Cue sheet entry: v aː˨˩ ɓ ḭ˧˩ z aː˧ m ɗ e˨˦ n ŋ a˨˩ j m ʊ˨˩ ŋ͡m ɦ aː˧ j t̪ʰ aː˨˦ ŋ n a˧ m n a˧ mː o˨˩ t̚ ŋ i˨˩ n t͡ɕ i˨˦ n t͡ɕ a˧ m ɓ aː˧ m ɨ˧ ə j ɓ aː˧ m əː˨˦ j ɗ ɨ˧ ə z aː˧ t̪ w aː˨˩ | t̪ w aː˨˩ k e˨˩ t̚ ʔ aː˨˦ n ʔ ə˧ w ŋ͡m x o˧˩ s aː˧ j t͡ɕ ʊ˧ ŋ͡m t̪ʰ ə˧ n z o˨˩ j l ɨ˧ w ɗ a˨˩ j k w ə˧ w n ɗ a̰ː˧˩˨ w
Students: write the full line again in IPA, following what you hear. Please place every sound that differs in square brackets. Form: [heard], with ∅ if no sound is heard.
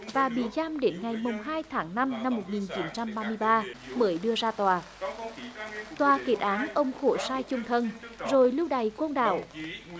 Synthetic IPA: v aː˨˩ ɓ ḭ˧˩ z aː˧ m ɗ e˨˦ n ŋ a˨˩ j m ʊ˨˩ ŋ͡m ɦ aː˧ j t̪ʰ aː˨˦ ŋ n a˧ m n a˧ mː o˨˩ t̚ ŋ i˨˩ n t͡ɕ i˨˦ n t͡ɕ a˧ m ɓ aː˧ m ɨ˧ ə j ɓ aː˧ m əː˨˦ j ɗ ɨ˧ ə z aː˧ t̪ w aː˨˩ | t̪ w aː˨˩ k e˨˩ t̚ ʔ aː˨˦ n ʔ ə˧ w ŋ͡m x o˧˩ s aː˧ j t͡ɕ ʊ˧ ŋ͡m t̪ʰ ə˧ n z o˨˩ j l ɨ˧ w ɗ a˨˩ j k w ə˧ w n ɗ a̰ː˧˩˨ w

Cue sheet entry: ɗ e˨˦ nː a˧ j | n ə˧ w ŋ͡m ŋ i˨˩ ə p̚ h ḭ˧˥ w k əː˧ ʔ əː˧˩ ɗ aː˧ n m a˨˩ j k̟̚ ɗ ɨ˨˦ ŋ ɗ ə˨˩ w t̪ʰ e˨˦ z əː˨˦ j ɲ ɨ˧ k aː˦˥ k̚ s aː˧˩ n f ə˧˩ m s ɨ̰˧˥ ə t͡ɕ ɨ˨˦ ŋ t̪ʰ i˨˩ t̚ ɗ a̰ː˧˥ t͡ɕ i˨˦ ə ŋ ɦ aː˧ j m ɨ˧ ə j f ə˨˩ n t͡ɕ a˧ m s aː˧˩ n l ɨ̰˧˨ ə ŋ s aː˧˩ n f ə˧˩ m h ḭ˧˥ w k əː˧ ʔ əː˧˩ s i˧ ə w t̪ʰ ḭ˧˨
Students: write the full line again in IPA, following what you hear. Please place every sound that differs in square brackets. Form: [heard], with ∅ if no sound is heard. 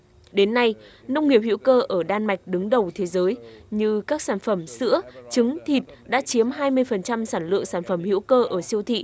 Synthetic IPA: ɗ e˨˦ nː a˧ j | n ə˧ w ŋ͡m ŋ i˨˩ ə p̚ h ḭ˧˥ w k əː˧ ʔ əː˧˩ ɗ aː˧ n m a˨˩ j k̟̚ ɗ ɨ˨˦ ŋ ɗ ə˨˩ w t̪ʰ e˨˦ z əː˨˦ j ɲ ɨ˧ k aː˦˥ k̚ s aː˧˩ n f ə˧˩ m s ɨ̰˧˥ ə t͡ɕ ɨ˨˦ ŋ t̪ʰ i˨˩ t̚ ɗ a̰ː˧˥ t͡ɕ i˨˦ ə [m] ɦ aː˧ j m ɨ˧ ə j f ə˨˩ n t͡ɕ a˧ m s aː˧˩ n l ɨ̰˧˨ ə ŋ s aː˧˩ n f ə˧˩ m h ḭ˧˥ w k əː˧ ʔ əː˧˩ s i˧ ə w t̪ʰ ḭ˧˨

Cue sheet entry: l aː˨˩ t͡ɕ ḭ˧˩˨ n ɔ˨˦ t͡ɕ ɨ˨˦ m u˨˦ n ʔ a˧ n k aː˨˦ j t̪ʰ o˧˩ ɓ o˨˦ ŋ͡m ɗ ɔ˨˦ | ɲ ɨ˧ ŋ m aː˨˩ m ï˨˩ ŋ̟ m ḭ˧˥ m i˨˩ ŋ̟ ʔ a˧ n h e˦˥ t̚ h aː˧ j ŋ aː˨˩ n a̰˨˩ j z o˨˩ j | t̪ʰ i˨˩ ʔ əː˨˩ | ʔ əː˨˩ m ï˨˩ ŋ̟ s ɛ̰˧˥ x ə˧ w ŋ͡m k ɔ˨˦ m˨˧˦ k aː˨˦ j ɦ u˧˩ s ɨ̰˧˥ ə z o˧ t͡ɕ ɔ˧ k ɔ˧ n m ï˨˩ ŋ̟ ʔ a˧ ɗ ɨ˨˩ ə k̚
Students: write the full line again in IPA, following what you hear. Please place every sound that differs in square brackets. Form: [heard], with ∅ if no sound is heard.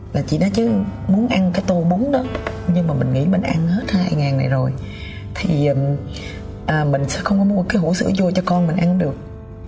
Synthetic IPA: l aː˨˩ t͡ɕ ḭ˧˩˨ n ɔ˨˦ t͡ɕ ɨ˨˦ m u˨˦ n ʔ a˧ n k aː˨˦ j [t̪] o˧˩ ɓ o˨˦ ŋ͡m ɗ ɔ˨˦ | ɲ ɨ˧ ŋ m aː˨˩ m ï˨˩ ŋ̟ [ŋ] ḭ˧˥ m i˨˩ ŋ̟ ʔ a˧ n h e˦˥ t̚ h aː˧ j ŋ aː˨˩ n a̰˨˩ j z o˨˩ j | t̪ʰ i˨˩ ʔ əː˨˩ | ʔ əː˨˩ m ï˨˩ ŋ̟ s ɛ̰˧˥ x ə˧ w ŋ͡m k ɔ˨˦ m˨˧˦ k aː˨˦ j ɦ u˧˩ s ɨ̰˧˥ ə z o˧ t͡ɕ ɔ˧ k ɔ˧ n m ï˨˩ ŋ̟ ʔ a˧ ɗ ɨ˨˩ ə k̚

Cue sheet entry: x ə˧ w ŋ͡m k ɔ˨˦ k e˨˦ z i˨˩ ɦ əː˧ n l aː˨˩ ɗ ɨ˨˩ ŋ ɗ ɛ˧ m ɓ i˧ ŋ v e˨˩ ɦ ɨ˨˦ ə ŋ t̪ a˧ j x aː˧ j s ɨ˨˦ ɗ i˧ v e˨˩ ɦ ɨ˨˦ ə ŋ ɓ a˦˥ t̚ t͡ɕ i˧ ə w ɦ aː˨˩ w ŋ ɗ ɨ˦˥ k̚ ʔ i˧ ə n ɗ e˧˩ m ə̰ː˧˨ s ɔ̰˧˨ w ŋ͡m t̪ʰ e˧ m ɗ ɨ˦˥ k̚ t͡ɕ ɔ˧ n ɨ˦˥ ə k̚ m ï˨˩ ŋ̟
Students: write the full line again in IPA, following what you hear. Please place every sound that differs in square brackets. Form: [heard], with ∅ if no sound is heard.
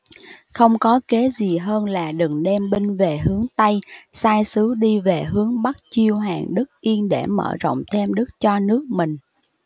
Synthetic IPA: x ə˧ w ŋ͡m k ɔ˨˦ k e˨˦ z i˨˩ ɦ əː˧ n l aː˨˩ ɗ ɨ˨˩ ŋ ɗ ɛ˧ m ɓ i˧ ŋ v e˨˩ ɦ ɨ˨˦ ə ŋ t̪ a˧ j [s] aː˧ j s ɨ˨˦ ɗ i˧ v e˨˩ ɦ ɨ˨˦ ə ŋ ɓ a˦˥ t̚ t͡ɕ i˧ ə w ɦ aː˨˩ [∅] ŋ ɗ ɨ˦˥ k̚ ʔ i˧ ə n ɗ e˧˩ m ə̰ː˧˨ [z] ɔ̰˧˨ w ŋ͡m t̪ʰ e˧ m ɗ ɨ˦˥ k̚ t͡ɕ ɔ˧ n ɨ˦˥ ə k̚ m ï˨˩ ŋ̟

